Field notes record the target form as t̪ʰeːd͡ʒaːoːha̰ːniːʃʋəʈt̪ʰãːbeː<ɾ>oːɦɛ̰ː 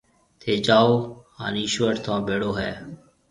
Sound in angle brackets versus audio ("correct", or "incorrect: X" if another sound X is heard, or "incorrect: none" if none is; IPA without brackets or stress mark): incorrect: ɽ